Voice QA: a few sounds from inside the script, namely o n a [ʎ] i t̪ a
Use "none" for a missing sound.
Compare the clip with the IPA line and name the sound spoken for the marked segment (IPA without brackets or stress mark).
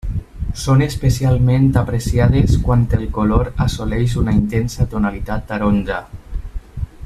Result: l